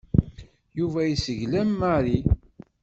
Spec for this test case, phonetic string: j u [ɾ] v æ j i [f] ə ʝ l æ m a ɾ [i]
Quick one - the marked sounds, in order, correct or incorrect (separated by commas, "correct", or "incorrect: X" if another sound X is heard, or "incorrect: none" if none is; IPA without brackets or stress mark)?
incorrect: none, incorrect: s, correct